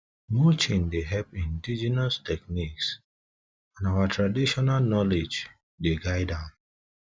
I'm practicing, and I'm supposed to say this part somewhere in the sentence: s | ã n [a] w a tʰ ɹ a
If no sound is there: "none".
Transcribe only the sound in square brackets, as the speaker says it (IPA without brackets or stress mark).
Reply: a